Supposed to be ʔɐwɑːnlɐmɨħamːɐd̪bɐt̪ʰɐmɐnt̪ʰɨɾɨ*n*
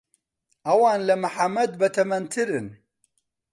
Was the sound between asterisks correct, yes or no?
yes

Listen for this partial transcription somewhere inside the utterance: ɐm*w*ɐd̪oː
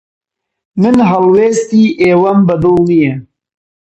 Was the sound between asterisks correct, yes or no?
no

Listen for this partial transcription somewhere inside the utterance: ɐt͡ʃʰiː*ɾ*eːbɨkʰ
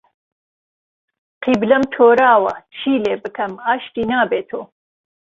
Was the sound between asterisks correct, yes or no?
no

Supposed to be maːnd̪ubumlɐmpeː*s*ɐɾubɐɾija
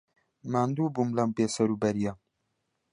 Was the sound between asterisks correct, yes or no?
yes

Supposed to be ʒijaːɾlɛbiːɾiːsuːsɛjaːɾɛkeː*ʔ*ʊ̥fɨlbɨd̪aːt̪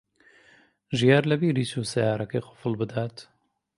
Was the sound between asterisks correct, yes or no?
no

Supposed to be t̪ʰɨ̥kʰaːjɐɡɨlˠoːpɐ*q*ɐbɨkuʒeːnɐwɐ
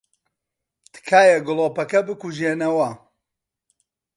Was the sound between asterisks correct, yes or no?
no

